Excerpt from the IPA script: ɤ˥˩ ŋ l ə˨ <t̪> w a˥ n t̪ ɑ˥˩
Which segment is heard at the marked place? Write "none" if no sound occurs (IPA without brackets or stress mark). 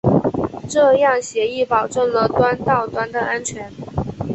t̪